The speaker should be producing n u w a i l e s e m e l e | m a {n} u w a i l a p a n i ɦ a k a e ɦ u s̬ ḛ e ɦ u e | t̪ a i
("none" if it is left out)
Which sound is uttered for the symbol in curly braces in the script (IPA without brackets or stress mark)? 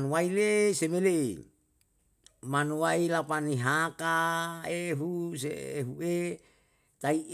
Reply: n